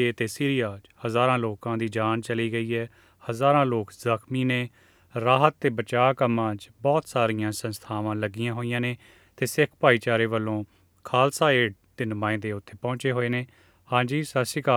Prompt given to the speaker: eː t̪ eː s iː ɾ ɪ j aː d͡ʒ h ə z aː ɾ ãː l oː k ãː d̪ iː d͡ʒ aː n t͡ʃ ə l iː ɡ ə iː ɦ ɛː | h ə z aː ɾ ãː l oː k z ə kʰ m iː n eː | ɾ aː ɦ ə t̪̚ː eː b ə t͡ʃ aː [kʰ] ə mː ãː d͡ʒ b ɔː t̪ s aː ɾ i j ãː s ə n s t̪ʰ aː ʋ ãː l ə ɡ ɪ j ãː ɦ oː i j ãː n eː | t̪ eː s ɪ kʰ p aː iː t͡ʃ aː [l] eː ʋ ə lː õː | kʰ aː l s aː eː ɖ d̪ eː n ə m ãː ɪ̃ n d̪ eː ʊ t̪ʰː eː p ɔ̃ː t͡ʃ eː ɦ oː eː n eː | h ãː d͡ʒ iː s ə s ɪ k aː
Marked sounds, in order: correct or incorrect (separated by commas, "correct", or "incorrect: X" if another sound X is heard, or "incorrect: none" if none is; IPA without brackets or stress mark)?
incorrect: k, incorrect: ɾ